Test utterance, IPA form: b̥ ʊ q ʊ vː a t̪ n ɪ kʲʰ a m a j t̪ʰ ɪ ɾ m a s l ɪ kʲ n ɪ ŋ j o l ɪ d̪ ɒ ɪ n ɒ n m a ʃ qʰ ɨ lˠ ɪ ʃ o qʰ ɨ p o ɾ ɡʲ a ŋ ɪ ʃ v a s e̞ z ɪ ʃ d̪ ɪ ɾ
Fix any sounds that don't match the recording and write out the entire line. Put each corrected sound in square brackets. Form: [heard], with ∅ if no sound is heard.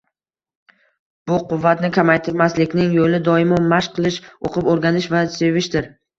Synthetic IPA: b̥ ʊ q ʊ vː a t̪ n ɪ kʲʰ a m a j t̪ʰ ɪ ɾ m a s l ɪ kʲ n ɪ ŋ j o l ɪ d̪ ɒ ɪ [m] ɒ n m a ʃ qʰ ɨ lˠ ɪ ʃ o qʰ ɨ p o ɾ ɡʲ a [n] ɪ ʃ v a s e̞ [v] ɪ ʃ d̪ ɪ ɾ